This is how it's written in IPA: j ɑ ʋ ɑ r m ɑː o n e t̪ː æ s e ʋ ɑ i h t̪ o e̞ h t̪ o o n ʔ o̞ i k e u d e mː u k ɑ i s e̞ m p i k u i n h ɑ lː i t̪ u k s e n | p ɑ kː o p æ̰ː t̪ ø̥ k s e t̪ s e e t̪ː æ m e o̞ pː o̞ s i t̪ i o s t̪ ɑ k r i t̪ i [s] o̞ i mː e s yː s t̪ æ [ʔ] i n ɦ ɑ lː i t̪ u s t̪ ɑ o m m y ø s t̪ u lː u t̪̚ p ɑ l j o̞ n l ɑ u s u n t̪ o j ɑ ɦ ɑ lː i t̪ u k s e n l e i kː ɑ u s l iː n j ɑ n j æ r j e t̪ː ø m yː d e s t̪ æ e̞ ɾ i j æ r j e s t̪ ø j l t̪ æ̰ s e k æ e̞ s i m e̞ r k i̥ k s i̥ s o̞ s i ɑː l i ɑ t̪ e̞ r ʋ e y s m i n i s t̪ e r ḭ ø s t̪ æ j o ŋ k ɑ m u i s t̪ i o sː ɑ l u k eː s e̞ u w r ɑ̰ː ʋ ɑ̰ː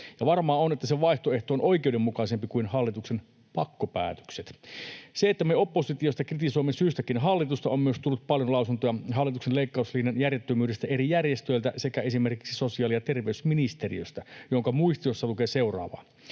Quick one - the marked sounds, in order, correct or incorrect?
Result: correct, incorrect

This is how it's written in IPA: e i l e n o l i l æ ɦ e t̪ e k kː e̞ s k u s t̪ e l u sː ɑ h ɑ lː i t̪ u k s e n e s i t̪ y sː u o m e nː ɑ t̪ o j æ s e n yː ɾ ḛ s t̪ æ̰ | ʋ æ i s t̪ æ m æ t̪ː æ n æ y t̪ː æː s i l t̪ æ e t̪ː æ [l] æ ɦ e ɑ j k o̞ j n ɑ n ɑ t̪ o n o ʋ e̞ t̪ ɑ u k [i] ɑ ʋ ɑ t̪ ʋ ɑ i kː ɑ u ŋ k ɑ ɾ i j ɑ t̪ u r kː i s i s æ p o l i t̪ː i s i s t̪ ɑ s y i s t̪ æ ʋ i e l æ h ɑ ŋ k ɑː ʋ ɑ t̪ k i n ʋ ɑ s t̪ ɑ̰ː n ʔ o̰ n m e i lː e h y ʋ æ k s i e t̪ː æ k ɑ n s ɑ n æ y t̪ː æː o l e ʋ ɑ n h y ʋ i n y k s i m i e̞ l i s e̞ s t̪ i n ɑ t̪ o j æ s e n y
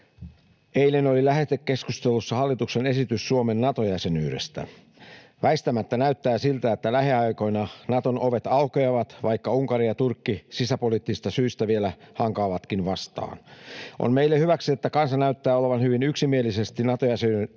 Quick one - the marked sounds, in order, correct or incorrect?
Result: correct, incorrect

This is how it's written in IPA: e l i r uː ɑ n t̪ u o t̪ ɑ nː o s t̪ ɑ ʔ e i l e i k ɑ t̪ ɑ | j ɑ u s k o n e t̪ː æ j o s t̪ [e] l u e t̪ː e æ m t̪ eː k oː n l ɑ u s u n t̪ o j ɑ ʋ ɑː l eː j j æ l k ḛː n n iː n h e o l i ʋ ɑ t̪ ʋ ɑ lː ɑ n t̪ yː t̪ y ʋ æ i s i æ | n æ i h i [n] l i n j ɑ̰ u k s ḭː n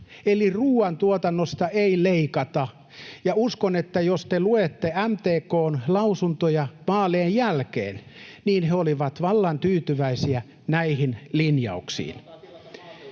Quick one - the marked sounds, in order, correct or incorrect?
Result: correct, correct

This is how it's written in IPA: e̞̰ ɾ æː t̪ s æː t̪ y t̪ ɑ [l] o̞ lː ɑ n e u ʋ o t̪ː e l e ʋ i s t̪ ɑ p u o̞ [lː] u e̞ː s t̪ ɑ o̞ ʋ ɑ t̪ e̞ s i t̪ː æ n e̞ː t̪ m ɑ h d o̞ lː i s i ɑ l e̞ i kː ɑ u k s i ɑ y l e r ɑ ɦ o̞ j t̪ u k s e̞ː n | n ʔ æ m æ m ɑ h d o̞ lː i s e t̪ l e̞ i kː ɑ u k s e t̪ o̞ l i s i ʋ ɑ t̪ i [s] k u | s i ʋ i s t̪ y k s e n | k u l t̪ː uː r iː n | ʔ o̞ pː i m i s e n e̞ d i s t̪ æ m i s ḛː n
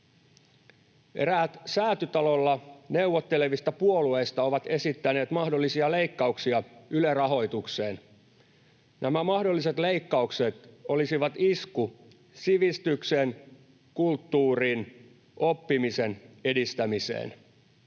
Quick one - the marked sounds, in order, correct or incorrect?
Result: correct, incorrect, correct

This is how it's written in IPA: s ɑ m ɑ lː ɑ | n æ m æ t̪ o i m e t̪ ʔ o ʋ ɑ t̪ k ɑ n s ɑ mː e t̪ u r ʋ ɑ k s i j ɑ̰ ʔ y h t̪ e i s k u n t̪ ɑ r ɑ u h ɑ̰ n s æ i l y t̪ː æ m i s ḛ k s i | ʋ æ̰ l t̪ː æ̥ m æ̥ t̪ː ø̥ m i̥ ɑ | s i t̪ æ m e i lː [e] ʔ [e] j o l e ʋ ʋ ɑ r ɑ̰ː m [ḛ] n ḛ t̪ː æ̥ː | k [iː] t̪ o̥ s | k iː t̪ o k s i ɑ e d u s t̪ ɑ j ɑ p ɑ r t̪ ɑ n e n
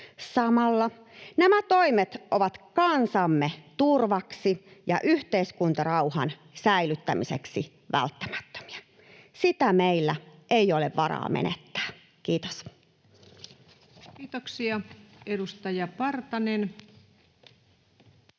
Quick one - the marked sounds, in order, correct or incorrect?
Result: incorrect, correct, correct, correct

